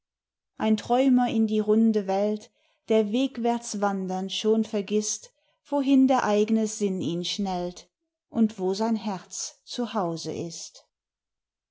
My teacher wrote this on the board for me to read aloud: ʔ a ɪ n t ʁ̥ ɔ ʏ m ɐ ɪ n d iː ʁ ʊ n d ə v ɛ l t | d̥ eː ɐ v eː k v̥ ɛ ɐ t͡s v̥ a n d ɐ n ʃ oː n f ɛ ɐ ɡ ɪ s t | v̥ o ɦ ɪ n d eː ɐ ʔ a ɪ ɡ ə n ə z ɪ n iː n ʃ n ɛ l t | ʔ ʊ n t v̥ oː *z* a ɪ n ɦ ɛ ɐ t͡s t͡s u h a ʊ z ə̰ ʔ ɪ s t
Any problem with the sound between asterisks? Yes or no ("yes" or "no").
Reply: no